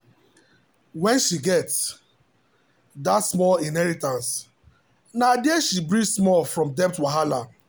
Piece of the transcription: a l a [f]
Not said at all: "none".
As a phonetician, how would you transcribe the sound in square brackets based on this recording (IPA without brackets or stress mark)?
none